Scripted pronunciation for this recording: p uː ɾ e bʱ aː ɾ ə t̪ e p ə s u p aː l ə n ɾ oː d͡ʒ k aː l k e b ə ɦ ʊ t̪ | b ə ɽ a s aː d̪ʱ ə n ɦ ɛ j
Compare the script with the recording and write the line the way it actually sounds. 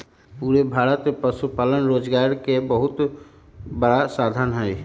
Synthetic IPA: p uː ɾ e bʱ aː ɾ ə t̪ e p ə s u p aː l ə n ɾ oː d͡ʒ ɡ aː ɾ k e b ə ɦ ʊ t̪ | b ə ɽ a s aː d̪ʱ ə n ɦ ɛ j